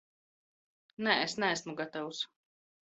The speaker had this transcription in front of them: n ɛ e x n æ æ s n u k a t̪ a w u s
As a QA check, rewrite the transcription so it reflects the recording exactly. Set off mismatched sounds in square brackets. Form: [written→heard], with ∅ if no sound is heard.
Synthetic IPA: n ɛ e [x→s] n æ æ s [n→m] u [k→ɡ] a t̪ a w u s